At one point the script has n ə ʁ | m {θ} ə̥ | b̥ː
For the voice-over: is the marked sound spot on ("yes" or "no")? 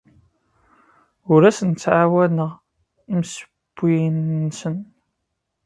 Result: no